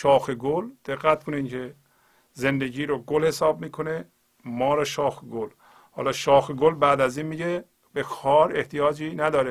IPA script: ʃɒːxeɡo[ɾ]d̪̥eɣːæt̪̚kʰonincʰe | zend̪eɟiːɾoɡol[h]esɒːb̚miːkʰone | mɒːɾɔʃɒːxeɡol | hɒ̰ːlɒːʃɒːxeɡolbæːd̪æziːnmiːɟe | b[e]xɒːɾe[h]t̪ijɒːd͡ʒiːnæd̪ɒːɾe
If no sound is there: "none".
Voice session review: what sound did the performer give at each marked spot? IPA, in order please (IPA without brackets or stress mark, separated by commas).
l, h, e, h